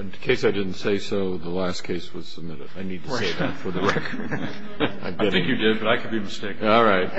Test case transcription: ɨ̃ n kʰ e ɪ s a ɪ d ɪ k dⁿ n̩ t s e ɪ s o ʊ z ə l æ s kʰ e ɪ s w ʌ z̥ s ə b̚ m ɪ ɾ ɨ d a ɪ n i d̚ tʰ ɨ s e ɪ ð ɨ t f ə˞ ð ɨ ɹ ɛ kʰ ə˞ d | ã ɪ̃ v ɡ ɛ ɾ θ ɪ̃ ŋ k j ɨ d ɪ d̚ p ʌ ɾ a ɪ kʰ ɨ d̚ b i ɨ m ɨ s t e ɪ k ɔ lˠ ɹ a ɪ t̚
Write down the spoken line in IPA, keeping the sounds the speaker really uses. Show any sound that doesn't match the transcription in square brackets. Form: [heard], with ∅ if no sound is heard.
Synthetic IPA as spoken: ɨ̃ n kʰ e ɪ s a ɪ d ɪ [∅] dⁿ n̩ t s e ɪ s o ʊ [ð] ə l æ s kʰ e ɪ s w ʌ z̥ s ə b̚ m ɪ ɾ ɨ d a ɪ n i d̚ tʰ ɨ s e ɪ ð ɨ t f ə˞ ð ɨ ɹ ɛ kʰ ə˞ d | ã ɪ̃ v ɡ ɛ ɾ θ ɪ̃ ŋ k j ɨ d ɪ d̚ [b] ʌ ɾ a ɪ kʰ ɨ d̚ b i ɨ m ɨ s t e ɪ k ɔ lˠ ɹ a ɪ t̚